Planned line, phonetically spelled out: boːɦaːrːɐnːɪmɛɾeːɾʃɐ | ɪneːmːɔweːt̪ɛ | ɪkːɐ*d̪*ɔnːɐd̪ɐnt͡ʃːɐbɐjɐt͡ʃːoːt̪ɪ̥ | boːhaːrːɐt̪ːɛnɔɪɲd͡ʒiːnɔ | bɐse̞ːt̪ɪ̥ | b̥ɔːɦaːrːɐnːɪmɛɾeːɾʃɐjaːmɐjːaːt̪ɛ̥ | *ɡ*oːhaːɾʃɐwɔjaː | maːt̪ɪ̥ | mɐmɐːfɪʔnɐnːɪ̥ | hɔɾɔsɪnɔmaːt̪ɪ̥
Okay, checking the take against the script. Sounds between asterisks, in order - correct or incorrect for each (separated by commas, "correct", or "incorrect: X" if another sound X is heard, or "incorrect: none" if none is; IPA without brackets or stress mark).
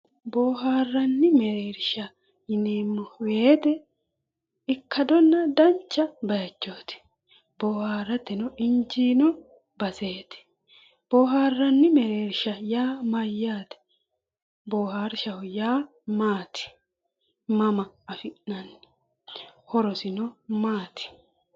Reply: correct, incorrect: b